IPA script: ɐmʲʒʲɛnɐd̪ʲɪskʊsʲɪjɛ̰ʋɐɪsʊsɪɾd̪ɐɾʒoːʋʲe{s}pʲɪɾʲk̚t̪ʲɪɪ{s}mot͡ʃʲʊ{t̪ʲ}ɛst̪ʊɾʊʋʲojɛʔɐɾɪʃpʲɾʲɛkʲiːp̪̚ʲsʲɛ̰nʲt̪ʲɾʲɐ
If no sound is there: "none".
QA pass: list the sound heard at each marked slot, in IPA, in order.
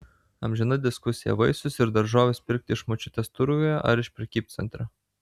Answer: s, ʃ, t̪ʲ

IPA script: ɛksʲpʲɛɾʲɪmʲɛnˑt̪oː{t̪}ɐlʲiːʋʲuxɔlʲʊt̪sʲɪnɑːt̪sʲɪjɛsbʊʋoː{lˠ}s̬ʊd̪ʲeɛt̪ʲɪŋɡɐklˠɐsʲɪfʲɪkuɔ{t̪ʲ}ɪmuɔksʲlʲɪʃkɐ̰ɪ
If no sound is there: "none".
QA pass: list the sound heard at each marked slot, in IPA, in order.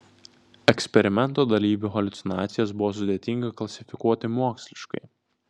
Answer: d̪, none, t̪ʲ

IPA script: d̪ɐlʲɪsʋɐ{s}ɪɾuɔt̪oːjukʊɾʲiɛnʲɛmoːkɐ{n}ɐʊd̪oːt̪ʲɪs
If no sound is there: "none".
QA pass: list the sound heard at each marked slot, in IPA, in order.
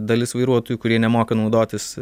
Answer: none, n

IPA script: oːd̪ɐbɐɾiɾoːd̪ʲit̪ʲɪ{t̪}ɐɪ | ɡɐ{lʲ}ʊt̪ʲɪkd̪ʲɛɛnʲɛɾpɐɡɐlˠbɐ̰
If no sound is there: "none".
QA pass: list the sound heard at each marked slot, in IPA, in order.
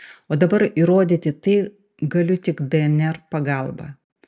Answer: t̪, lʲ

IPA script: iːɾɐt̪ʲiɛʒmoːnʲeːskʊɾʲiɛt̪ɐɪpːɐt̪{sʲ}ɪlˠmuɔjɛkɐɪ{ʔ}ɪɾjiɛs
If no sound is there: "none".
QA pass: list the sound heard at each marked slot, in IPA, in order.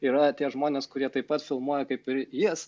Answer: fʲ, p

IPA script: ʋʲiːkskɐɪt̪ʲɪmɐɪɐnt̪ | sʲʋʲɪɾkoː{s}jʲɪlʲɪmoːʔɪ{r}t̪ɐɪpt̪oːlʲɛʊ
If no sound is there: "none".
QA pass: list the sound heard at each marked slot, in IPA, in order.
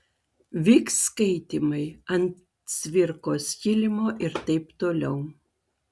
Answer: s, ɾ

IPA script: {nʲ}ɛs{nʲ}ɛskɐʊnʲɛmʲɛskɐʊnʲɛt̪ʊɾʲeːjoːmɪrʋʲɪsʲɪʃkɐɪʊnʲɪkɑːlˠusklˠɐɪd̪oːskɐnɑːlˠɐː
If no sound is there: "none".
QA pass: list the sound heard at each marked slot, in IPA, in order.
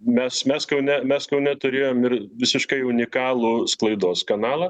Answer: mʲ, mʲ

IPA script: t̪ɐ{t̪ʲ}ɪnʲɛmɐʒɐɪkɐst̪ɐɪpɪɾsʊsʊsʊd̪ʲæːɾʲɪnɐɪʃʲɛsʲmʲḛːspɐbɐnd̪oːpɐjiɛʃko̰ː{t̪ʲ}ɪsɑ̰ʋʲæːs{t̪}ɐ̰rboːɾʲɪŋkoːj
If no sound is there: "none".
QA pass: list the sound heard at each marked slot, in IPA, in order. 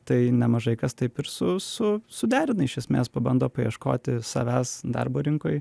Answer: none, t̪ʲ, d̪

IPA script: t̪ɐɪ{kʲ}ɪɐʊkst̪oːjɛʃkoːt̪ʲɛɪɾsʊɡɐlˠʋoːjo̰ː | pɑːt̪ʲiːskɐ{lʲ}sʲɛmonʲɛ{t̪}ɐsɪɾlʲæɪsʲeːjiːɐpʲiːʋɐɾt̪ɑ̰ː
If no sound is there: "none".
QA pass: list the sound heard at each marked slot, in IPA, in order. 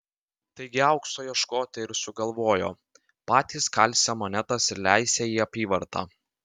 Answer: ɡʲ, lʲ, t̪

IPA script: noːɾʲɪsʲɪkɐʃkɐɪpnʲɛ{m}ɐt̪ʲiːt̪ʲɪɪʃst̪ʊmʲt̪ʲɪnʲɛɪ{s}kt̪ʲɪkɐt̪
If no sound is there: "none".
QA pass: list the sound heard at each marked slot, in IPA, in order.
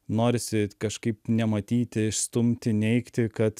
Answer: m, none

